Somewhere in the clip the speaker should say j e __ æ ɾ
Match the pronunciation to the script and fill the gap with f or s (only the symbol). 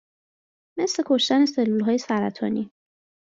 s